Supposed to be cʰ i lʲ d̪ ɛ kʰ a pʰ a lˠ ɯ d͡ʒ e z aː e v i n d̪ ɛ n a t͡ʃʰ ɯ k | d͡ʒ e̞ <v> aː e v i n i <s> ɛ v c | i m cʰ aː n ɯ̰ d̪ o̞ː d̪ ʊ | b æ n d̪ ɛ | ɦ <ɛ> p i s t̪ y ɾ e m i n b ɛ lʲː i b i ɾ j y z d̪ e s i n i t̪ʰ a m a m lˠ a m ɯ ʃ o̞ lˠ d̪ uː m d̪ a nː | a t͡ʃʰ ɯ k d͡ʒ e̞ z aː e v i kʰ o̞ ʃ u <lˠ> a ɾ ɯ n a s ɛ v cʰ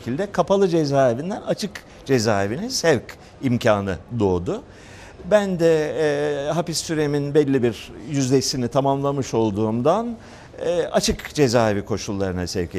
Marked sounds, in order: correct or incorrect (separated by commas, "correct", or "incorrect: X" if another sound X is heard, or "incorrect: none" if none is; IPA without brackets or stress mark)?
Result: incorrect: z, correct, incorrect: a, incorrect: lˠː